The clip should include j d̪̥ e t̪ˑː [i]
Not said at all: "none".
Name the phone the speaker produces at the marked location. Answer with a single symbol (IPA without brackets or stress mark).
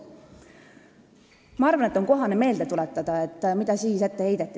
i